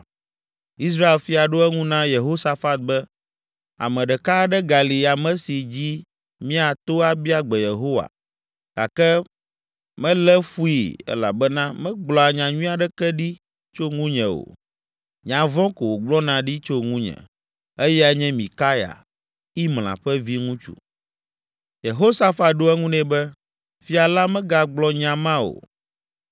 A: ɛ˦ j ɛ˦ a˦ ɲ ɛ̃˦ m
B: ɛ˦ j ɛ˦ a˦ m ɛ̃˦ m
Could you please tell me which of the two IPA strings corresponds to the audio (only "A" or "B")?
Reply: A